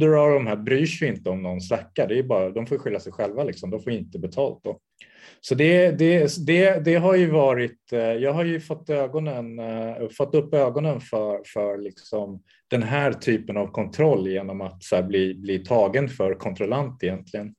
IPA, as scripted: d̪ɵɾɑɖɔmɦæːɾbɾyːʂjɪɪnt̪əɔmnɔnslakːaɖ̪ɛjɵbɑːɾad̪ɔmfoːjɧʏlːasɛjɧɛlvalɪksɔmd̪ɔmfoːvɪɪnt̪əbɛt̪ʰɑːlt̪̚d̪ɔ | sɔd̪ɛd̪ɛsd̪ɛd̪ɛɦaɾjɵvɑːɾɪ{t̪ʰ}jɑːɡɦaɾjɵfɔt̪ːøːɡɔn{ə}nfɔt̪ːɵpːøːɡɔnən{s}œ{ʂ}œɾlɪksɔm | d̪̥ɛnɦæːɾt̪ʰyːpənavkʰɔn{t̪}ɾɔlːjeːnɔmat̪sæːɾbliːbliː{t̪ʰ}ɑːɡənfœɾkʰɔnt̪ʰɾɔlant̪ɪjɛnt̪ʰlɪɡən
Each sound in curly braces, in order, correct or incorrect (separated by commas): incorrect, correct, incorrect, incorrect, incorrect, correct